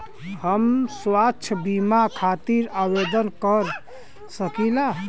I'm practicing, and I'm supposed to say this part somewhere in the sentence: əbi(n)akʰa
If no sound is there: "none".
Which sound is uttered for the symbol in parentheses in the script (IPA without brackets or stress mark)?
m